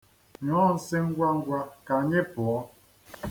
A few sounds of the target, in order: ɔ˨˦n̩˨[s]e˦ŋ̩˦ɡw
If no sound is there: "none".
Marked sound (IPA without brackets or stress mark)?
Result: s